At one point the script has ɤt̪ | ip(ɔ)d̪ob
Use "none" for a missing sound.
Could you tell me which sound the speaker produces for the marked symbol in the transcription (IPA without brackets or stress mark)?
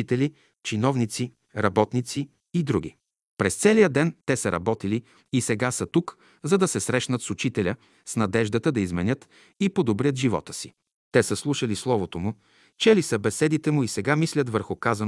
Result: o